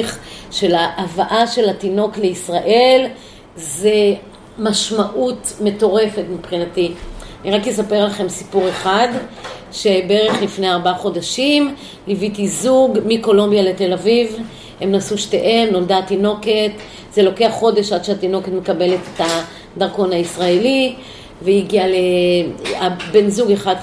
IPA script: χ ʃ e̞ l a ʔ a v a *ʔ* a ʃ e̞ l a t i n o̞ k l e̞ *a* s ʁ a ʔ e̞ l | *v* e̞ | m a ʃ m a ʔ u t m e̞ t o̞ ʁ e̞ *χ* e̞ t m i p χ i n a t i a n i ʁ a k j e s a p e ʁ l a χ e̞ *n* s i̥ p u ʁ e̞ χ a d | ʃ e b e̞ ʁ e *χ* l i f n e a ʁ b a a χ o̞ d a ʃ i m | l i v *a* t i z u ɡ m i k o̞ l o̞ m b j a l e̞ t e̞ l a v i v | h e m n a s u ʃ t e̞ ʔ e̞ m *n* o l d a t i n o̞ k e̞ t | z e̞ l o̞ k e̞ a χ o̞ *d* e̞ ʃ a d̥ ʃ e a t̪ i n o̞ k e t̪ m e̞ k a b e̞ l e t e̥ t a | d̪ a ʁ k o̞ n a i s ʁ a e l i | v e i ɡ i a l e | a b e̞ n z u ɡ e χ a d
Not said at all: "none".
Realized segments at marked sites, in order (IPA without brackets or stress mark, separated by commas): ʔ, i, z, f, m, χ, i, n, d